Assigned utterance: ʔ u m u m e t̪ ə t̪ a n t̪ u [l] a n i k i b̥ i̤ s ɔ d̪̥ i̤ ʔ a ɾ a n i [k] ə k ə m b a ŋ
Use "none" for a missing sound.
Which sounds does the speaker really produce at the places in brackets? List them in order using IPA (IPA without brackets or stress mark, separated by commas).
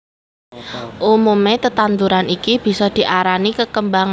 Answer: ɾ, k